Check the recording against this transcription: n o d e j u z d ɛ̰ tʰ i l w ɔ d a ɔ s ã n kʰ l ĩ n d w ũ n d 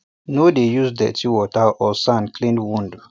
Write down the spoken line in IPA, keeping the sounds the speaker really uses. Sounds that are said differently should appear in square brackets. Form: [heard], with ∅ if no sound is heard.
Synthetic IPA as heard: n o d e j u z d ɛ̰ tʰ i [∅] w ɔ [t] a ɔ s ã n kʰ l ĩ n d w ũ n d